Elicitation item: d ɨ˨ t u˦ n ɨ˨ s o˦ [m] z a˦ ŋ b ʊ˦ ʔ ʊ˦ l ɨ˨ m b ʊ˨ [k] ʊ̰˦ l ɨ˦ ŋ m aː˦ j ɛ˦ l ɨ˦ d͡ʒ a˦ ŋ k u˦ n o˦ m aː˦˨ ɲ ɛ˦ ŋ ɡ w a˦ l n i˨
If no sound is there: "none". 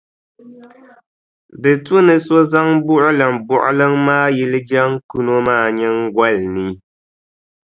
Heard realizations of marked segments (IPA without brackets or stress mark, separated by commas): none, ʔ